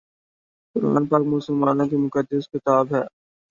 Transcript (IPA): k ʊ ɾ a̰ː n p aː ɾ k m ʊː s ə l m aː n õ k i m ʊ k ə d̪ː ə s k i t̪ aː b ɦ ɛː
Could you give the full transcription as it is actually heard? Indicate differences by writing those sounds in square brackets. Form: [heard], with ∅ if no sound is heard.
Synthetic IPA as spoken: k ʊ ɾ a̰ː n p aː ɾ k m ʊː s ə l m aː n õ k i m ʊ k ə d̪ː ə s k [ɪ] t̪ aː b ɦ ɛː